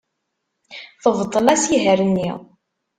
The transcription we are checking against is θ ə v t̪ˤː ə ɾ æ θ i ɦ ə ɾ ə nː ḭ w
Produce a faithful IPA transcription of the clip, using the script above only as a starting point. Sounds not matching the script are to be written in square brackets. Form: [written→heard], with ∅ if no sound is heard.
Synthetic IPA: θ ə v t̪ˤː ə [ɾ→l] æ [θ→s] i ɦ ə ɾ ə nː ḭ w

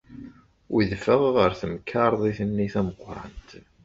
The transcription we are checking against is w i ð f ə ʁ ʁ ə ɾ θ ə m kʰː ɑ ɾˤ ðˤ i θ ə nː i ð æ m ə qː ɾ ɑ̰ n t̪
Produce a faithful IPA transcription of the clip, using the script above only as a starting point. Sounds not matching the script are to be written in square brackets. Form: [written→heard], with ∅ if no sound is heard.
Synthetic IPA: w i ð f ə ʁ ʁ ə ɾ θ ə m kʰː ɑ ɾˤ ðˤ i θ ə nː i [ð→θ] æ m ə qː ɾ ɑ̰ n t̪

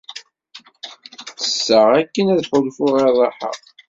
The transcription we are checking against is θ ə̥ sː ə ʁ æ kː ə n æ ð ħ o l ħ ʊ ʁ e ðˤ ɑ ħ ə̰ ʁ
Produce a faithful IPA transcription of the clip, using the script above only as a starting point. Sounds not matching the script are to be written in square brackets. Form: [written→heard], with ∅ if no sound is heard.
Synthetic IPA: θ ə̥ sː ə ʁ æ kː ə n æ ð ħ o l [ħ→f] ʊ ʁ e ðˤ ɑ ħ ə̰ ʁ

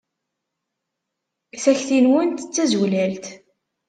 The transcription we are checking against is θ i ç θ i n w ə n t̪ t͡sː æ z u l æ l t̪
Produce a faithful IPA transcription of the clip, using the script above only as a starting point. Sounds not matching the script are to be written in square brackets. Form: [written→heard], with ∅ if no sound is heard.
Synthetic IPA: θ [i→æ] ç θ i n w ə n t̪ t͡sː æ z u l æ l t̪

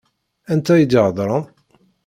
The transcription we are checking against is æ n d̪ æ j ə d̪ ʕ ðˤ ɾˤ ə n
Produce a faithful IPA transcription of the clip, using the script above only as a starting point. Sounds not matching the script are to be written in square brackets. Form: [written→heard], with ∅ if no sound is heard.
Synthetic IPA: æ n [d̪→t̪] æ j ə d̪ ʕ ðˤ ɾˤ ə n

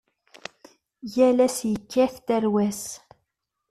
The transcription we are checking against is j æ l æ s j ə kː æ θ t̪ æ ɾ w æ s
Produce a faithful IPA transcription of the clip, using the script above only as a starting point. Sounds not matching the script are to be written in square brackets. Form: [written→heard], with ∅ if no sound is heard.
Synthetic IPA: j æ l æ s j ə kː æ θ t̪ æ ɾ w æ s

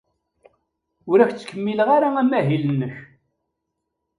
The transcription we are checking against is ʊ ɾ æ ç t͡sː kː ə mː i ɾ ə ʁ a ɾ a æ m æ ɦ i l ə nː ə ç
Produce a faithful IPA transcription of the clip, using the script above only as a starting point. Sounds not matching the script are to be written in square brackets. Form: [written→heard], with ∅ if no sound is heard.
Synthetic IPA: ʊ ɾ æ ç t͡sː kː ə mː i [ɾ→l] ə ʁ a ɾ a æ m æ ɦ i l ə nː ə ç

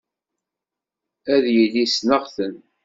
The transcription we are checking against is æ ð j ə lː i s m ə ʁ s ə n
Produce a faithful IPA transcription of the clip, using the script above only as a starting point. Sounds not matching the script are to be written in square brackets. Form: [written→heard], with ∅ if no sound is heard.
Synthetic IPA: æ ð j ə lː i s [m→n] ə ʁ [s→θ] ə n

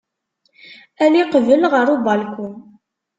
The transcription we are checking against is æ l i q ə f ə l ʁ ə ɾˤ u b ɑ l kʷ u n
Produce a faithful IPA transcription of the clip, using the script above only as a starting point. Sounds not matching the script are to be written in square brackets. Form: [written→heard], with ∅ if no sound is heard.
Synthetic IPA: æ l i q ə [f→v] ə l ʁ ə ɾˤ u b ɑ l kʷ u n

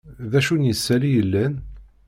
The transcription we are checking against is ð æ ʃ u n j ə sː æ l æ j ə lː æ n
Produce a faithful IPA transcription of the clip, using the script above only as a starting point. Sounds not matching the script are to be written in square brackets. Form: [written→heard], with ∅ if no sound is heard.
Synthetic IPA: ð æ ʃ u n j ə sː æ l [æ→i] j ə lː æ n

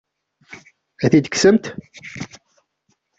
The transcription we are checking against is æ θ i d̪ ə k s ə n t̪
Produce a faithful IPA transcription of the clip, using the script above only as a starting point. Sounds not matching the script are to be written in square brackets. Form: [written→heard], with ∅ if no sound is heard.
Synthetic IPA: æ θ i d̪ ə k s ə [n→m] t̪

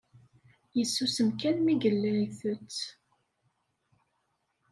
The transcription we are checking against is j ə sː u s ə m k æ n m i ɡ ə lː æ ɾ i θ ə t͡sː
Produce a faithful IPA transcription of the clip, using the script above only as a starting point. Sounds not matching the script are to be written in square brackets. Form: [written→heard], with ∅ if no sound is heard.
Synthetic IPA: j ə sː u s ə m k æ n m i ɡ ə lː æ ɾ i θ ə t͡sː

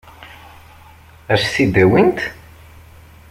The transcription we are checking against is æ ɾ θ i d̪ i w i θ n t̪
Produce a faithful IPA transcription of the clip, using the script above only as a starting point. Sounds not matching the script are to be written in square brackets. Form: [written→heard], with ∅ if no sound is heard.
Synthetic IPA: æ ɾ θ i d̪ [i→æ] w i [θ→∅] n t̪

